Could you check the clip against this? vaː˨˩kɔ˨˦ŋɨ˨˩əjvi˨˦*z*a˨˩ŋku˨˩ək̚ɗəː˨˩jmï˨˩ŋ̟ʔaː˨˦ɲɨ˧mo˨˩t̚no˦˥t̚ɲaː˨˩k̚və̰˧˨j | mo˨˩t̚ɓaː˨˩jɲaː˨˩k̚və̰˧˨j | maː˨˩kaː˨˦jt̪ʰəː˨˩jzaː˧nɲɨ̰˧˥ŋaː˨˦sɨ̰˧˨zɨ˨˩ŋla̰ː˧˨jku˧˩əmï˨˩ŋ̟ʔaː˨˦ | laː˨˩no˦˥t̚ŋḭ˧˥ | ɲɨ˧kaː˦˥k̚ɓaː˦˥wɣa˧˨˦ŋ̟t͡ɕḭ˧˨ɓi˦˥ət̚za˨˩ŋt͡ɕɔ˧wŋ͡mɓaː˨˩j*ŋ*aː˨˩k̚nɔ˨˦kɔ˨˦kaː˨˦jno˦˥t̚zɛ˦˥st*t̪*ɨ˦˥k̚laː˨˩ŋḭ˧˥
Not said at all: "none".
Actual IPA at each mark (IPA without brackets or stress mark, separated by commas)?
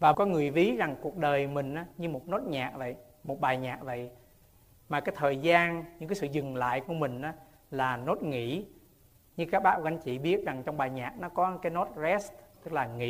z, ɲ, t̪